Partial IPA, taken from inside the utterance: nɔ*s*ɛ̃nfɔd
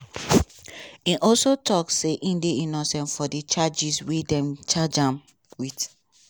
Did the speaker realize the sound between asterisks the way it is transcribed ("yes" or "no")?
yes